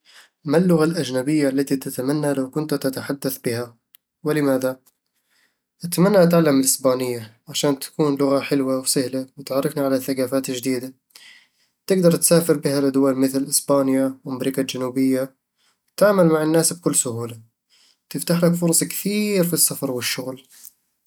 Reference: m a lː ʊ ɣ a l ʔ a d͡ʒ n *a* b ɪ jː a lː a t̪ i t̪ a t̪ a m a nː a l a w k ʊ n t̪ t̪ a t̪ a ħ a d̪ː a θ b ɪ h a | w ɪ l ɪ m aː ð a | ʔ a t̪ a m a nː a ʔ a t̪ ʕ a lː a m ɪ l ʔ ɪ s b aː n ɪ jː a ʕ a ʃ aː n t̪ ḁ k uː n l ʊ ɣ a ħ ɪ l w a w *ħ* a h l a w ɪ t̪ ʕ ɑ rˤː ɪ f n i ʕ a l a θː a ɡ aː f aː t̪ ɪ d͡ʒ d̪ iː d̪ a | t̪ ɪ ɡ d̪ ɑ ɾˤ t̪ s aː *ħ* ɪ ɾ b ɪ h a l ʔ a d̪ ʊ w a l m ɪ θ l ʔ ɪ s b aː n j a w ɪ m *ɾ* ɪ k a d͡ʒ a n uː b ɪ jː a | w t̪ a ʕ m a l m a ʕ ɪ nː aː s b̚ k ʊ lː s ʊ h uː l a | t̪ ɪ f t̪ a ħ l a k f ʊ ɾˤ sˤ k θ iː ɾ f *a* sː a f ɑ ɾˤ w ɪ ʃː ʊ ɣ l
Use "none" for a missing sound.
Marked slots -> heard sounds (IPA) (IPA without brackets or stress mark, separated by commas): a, s, f, ɾ, i